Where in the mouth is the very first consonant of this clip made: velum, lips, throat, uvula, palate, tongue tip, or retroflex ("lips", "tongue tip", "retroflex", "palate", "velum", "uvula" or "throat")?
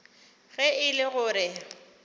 velum